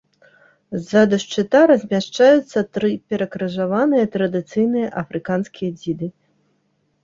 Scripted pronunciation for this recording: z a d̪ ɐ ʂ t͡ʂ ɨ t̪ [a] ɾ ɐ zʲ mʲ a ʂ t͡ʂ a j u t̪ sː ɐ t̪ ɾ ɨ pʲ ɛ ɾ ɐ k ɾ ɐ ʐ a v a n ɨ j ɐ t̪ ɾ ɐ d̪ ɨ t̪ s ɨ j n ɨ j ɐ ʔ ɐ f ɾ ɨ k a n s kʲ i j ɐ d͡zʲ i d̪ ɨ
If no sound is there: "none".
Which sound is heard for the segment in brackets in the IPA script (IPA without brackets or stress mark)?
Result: a